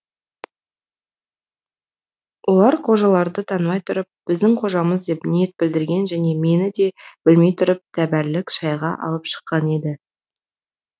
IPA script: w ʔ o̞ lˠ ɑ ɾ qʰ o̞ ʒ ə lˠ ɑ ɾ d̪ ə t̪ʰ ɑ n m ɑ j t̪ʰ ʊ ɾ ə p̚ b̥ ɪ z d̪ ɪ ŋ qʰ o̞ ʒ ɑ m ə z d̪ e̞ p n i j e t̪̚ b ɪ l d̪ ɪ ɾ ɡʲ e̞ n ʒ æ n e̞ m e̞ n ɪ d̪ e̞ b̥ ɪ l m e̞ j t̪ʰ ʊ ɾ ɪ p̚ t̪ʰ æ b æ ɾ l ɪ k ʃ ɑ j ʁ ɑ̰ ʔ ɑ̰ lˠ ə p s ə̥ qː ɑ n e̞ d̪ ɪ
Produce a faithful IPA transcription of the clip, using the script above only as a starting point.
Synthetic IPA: w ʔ o̞ lˠ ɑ ɾ qʰ o̞ ʒ ɑ lˠ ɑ ɾ d̪ ə t̪ʰ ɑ n m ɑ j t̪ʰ ʊ ɾ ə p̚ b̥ ɪ z d̪ ɪ ŋ qʰ o̞ ʒ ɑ m ə z d̪ e̞ p n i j e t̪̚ b ɪ l d̪ ɪ ɾ ɡʲ e̞ n ʒ æ n e̞ m e̞ n ɪ d̪ e̞ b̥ ɪ l m e̞ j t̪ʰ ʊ ɾ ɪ p̚ t̪ʰ æ b æ ɾ l ɪ k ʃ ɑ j ʁ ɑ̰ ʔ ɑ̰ lˠ ə p ʃ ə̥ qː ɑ n e̞ d̪ ɪ